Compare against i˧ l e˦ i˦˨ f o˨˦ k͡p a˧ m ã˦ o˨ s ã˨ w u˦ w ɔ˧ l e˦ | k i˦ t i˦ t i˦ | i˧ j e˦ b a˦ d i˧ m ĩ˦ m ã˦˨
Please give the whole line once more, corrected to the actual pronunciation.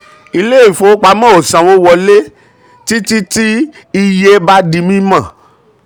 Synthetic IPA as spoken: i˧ l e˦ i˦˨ f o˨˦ k͡p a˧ m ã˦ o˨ s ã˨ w o˦ w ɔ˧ l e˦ | t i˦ t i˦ t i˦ | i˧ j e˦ b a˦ d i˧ m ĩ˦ m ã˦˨

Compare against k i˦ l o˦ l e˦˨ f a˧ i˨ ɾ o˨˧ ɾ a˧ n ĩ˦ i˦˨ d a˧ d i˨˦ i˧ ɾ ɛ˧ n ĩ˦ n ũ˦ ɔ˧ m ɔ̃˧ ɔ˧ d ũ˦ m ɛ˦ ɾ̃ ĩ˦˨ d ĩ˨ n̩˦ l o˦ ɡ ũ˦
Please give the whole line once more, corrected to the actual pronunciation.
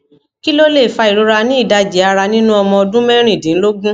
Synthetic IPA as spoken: k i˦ l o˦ l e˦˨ f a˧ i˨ ɾ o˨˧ ɾ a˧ n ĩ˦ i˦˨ d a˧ d͡ʒ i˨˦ a˧ ɾ a˧ n ĩ˦ n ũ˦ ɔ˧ m ɔ̃˧ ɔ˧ d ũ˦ m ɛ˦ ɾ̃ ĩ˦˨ d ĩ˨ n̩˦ l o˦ ɡ ũ˦

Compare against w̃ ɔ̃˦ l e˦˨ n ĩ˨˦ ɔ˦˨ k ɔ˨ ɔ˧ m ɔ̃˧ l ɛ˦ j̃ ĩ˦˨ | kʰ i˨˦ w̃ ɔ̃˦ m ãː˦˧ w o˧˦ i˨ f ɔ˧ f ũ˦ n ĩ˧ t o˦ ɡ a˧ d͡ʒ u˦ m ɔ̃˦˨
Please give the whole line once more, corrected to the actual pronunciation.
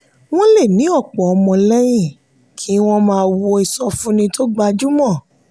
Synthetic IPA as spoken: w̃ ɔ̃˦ l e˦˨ n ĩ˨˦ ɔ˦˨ k͡p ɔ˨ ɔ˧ m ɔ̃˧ l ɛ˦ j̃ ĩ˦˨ | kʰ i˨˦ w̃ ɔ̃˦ m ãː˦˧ w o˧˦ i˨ s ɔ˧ f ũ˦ n ĩ˧ t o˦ ɡ͡b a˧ d͡ʒ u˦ m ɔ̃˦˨

